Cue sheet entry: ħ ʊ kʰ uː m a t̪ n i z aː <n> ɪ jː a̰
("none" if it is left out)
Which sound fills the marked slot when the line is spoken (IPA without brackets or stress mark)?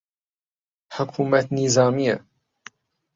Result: m